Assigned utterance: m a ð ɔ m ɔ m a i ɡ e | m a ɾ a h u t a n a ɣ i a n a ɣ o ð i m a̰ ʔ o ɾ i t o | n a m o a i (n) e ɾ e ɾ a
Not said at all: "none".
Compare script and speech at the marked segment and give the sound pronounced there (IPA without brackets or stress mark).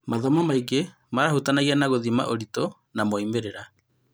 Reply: m